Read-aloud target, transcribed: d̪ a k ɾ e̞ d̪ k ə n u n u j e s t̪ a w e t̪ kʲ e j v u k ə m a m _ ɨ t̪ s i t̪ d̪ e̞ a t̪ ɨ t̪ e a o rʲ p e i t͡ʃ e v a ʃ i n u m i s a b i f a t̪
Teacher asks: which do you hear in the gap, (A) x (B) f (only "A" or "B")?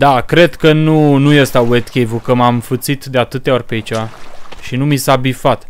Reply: B